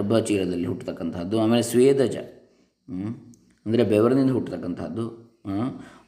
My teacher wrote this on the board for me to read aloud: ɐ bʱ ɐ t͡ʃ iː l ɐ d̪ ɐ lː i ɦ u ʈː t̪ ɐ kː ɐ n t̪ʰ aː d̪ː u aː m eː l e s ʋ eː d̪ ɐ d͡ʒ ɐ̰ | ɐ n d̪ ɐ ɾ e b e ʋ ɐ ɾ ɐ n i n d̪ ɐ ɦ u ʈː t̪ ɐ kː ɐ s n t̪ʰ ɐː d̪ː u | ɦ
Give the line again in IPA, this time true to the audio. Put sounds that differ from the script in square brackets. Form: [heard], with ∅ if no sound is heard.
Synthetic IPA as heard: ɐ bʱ ɐ t͡ʃ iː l ɐ d̪ ɐ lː i ɦ u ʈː t̪ ɐ kː ɐ n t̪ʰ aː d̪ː u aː m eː l e s ʋ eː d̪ ɐ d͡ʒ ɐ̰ | ɐ n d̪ ɐ ɾ e b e ʋ ɐ ɾ ɐ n i n d̪ ɐ ɦ u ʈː t̪ ɐ kː ɐ [∅] n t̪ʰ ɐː d̪ː u | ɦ